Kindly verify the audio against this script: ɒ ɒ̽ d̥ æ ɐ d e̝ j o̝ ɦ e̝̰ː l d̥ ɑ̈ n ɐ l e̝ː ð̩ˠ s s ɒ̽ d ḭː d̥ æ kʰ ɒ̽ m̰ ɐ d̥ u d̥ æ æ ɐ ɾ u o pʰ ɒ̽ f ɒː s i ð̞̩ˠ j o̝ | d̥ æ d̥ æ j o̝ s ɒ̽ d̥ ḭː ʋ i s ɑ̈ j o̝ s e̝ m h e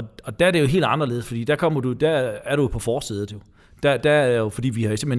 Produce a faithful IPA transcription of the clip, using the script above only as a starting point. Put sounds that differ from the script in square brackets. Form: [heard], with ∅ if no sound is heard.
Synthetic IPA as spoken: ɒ ɒ̽ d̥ æ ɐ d e̝ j o̝ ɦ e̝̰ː l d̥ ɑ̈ n ɐ l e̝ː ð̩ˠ s [f] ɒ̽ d ḭː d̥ æ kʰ ɒ̽ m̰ ɐ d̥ u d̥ æ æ ɐ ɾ u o pʰ ɒ̽ f ɒː s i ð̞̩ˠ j o̝ | d̥ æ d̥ æ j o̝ [f] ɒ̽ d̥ ḭː ʋ i [h] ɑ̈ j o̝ s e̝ m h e